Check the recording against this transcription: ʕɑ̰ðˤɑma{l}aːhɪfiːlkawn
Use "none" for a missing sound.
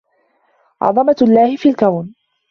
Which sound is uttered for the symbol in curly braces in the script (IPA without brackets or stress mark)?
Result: lː